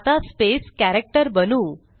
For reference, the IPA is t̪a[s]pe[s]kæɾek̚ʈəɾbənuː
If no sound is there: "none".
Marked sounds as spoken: s, s

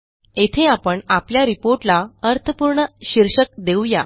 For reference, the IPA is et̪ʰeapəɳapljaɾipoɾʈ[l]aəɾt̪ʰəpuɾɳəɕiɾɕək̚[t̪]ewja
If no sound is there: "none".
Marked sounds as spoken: l, d̪

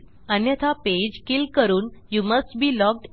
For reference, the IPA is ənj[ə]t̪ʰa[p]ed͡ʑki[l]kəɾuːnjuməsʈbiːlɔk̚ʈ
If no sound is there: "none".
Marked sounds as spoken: ə, p, l

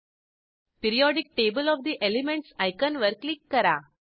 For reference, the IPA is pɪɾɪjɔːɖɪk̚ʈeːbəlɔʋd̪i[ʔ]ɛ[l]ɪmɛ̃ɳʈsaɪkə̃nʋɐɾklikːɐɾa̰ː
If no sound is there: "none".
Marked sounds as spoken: ʔ, l

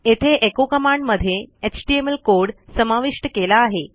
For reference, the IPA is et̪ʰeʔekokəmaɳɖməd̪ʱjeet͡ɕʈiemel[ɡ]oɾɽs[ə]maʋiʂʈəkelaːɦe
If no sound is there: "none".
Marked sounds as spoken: k, ə

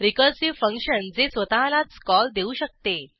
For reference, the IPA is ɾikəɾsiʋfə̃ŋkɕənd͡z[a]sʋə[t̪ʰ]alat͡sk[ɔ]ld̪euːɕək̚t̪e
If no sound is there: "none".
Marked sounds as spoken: e, t̪, ɔ

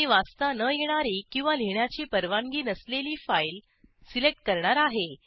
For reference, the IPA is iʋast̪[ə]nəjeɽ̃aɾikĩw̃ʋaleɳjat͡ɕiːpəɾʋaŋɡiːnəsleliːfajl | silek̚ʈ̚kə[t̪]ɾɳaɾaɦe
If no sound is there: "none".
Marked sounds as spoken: a, none

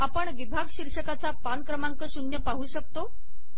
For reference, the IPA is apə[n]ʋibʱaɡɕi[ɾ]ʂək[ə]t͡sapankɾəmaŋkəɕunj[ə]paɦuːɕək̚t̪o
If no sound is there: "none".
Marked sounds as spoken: ɳ, ɾ, a, ə

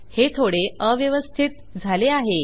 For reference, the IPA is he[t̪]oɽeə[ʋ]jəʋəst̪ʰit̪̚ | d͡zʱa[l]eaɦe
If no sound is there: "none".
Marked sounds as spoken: t̪ʰ, ʋ, l

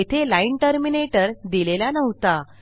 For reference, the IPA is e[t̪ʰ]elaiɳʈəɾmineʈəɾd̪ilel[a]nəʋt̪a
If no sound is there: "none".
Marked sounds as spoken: t̪ʰ, a

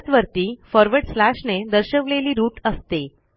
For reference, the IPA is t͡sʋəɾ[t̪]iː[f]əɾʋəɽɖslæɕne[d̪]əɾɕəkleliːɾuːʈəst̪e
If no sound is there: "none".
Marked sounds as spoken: t̪, f, d̪

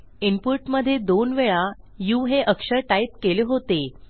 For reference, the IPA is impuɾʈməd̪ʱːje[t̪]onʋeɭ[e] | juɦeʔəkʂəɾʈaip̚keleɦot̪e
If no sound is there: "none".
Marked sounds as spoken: d̪, a

